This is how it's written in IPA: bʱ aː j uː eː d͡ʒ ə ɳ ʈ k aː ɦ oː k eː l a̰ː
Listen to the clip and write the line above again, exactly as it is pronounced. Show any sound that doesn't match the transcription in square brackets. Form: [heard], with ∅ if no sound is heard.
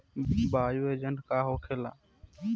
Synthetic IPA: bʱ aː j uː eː d͡ʒ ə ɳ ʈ k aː ɦ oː [kʰ] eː l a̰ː